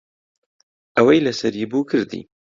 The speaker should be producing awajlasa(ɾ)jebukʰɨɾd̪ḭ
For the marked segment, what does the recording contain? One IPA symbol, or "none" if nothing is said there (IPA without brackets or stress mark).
ɾ